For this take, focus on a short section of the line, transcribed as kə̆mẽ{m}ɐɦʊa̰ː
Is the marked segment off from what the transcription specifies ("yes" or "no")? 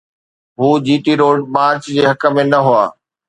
yes